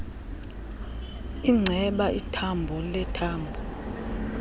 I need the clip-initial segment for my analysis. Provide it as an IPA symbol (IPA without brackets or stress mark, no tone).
i